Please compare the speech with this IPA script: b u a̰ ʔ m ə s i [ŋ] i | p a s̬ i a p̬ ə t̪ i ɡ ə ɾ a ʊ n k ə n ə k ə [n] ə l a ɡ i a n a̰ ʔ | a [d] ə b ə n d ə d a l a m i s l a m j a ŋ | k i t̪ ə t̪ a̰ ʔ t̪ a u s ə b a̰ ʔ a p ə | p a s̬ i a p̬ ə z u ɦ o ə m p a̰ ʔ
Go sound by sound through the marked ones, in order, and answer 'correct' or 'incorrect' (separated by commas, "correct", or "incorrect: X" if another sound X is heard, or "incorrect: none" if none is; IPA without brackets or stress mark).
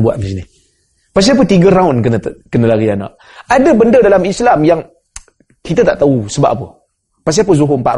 incorrect: n, correct, correct